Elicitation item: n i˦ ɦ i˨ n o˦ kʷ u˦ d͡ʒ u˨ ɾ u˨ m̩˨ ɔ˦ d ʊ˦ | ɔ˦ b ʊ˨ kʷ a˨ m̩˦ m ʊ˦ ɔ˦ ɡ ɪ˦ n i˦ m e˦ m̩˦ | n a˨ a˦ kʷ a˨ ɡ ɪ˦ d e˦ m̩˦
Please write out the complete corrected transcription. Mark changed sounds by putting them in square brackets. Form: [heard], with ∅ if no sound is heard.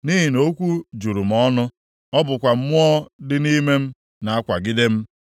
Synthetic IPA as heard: n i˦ ɦ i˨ n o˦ kʷ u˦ d͡ʒ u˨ ɾ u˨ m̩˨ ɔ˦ [n] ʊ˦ | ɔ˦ b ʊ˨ kʷ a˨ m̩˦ m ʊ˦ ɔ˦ [d] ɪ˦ n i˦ m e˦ m̩˦ | n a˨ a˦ kʷ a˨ ɡ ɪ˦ d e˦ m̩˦

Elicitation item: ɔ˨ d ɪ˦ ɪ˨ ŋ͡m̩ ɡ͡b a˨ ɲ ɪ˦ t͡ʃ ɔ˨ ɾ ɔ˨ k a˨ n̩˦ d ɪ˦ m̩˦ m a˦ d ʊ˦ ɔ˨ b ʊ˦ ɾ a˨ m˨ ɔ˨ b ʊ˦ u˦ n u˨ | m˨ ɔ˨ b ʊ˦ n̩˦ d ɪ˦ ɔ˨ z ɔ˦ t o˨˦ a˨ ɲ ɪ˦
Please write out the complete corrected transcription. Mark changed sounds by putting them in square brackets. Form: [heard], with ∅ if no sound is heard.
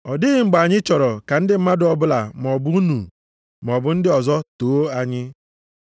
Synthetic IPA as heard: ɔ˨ d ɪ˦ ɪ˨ ŋ͡m̩ ɡ͡b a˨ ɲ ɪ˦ t͡ʃ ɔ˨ ɾ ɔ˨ k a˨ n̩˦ d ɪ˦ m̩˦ m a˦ d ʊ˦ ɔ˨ b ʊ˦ [l] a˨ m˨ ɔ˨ b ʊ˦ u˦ n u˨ | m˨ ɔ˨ b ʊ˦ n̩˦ d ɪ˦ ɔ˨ z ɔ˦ t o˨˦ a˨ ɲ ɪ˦

